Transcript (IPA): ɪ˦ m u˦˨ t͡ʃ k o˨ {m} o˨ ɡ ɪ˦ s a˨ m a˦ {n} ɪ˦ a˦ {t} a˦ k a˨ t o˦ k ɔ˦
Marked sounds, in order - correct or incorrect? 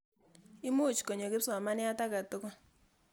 incorrect: ɲ, correct, correct

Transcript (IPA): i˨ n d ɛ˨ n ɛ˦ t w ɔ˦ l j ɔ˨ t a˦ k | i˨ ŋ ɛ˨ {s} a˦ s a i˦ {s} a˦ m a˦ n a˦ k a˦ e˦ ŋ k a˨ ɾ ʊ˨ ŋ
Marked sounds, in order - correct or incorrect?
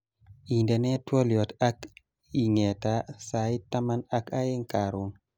incorrect: t, incorrect: t

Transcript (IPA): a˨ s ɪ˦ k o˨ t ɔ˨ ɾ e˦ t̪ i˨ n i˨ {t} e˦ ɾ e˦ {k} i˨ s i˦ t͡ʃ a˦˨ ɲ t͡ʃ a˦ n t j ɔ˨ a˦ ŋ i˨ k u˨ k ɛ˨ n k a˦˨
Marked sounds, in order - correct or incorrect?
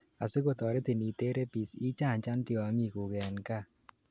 correct, incorrect: p

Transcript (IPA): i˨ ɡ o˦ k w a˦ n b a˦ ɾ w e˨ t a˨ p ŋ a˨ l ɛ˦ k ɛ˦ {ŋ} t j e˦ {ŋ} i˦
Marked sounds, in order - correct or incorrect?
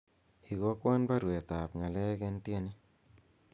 incorrect: n, incorrect: n

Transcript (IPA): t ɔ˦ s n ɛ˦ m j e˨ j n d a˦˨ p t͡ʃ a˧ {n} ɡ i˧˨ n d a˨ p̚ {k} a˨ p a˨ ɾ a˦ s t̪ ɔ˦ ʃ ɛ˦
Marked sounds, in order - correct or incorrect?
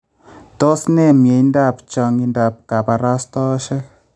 incorrect: ŋ, correct

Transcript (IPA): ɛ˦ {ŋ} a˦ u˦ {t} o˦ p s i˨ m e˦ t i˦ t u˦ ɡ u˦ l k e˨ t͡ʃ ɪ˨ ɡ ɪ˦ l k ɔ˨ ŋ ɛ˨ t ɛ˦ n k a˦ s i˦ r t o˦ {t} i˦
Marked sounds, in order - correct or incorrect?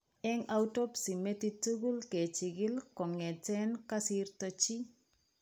correct, correct, incorrect: t͡ʃ

